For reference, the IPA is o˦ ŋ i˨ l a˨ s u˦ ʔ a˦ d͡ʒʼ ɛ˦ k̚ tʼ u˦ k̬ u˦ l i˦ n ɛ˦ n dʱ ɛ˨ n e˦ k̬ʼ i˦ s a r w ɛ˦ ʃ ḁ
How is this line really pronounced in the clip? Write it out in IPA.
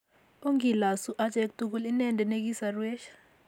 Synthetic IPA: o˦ ŋ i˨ l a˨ s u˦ ʔ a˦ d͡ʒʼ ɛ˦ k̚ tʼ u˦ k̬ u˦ l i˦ n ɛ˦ n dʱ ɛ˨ n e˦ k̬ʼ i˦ s a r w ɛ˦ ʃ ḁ